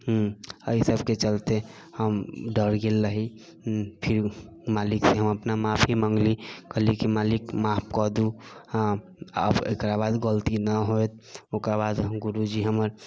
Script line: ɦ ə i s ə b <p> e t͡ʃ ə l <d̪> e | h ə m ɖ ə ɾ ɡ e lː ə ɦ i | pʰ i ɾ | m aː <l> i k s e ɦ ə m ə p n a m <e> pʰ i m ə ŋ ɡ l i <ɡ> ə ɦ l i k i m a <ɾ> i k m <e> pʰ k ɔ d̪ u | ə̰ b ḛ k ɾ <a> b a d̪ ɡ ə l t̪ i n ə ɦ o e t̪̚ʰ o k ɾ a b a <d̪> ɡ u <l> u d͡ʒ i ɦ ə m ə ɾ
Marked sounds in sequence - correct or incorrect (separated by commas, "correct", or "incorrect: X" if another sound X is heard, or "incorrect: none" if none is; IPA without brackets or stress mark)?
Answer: incorrect: k, incorrect: t̪, correct, incorrect: a, incorrect: k, incorrect: l, incorrect: a, correct, correct, incorrect: ɾ